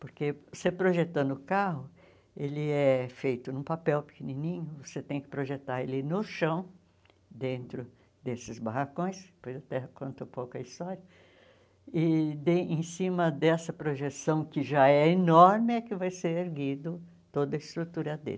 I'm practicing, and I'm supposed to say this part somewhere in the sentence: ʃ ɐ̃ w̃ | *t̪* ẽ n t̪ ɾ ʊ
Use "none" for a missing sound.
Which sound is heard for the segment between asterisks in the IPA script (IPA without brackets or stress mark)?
d̪